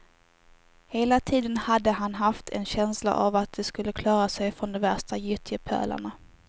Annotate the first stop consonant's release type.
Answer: aspirated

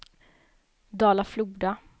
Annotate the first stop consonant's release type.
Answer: plain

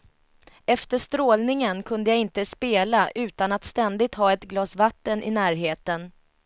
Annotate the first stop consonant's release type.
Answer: plain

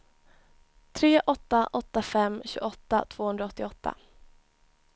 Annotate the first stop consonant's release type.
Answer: aspirated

